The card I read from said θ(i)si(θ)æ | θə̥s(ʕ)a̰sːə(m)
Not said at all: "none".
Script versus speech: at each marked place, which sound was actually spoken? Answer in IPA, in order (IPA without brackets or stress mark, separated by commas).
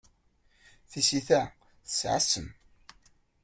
i, θ, ʕ, m